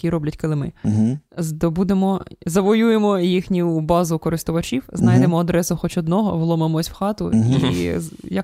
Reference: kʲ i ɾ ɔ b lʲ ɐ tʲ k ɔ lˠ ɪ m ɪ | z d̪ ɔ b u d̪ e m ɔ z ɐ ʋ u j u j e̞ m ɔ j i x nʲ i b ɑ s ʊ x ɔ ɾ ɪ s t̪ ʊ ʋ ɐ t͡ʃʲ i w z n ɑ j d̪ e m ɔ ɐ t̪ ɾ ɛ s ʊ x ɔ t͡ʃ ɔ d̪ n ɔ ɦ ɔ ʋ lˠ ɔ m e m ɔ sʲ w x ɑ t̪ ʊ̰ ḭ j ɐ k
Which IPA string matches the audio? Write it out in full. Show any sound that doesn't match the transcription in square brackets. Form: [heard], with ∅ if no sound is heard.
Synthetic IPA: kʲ i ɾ ɔ b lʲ ɐ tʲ k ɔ lˠ ɪ m ɪ | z d̪ ɔ b u d̪ e m ɔ z ɐ ʋ [ɔ] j u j e̞ m ɔ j i x nʲ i b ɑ [z] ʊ [k] ɔ ɾ ɪ s t̪ ʊ ʋ ɐ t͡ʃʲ i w z n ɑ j d̪ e m ɔ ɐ [d̪] ɾ ɛ s ʊ x ɔ t͡ʃ ɔ d̪ n ɔ ɦ ɔ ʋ lˠ ɔ m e m ɔ sʲ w x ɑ t̪ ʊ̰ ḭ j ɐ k